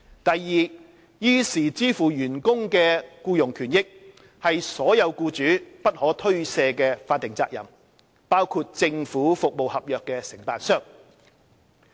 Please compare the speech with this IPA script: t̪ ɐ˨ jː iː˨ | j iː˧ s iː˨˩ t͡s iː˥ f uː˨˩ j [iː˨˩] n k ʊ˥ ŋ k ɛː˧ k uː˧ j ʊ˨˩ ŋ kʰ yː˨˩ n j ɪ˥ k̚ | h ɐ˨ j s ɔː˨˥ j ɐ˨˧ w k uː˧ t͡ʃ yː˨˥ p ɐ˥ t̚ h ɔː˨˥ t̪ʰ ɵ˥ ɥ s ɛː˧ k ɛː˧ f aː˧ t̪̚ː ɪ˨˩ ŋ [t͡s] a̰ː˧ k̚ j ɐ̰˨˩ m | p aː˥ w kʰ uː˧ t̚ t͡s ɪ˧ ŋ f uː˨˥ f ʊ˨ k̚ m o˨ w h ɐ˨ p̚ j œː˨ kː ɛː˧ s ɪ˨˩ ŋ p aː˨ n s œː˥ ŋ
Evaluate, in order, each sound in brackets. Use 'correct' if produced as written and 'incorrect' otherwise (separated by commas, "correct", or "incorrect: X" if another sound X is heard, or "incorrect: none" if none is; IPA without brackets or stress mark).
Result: incorrect: yː˨˩, correct